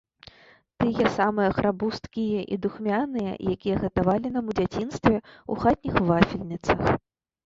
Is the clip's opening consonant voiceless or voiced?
voiceless